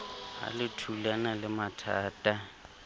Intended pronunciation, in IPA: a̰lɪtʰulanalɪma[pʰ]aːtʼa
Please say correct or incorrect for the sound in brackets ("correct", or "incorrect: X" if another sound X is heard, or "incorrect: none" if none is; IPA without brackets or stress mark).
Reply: incorrect: tʰ